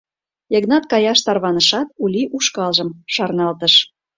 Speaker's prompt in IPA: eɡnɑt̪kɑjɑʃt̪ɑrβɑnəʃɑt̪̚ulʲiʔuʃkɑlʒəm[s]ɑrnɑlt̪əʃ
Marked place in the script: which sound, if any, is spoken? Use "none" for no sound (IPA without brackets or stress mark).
ʃ